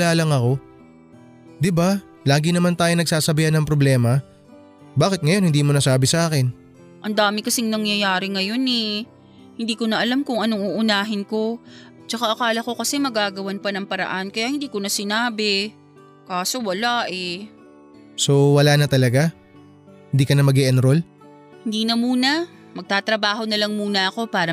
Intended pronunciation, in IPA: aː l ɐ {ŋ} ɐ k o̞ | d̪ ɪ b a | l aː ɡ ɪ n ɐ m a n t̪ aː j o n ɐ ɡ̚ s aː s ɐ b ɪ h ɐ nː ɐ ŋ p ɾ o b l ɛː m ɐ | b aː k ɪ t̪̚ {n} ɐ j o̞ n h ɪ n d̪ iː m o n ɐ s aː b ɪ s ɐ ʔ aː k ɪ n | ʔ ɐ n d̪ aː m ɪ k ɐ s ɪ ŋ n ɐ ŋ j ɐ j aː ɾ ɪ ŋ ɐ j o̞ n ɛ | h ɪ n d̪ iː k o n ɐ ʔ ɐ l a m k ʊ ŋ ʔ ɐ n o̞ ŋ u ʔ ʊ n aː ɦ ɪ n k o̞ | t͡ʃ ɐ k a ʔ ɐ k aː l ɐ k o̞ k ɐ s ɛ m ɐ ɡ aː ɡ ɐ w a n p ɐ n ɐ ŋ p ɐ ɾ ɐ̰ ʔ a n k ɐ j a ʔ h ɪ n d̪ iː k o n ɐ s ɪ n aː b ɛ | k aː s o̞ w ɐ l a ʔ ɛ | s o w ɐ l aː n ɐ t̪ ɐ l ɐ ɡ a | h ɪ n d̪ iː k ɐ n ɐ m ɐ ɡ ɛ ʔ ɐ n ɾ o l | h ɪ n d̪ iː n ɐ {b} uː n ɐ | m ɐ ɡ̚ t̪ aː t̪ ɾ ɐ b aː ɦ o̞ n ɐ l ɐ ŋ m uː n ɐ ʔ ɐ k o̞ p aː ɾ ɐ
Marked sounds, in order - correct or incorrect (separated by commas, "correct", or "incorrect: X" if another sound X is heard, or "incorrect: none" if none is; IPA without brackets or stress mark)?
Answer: correct, incorrect: ŋ, incorrect: m